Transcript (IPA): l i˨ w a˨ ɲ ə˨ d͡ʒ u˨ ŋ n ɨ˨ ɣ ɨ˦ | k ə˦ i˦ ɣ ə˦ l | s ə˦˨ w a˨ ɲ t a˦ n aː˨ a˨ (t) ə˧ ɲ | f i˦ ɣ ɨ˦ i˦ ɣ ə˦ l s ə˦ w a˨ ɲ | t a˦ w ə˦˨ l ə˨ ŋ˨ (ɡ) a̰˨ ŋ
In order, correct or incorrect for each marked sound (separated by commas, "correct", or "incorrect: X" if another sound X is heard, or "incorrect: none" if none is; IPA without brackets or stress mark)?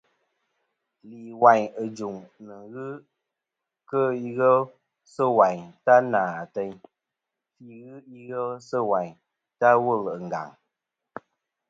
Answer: correct, correct